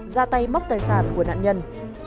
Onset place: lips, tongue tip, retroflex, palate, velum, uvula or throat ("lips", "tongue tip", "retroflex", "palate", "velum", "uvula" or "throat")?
tongue tip